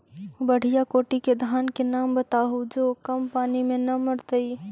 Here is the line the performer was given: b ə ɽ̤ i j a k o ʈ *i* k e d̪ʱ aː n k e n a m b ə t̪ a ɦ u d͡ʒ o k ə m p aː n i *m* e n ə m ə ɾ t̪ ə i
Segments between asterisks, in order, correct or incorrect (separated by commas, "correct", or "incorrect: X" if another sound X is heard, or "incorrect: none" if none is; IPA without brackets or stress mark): correct, correct